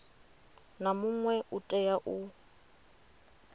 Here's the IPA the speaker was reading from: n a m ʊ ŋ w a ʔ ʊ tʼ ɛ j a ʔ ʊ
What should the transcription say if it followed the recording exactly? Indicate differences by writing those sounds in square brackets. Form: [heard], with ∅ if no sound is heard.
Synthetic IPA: n a m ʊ ŋ w [ɛ] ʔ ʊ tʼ ɛ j a ʔ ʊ